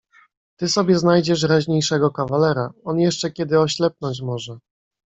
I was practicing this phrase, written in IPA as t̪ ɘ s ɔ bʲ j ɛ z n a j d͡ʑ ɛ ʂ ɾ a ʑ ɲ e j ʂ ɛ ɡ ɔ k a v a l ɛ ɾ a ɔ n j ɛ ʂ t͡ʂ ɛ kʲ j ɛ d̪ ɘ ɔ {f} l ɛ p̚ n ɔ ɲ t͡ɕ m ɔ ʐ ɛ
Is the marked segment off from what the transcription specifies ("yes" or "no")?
yes